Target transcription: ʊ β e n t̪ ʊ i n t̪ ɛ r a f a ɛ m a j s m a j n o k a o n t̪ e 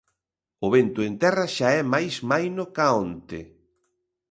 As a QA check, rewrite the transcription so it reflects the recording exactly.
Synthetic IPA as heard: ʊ β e n t̪ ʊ e n t̪ ɛ r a ʃ a ɛ m a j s m a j n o k a o n t̪ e